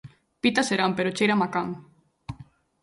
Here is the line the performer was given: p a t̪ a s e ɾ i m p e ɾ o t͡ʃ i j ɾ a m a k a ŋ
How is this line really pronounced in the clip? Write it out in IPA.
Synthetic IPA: p i t̪ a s e ɾ a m p e ɾ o t͡ʃ e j ɾ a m a k a ŋ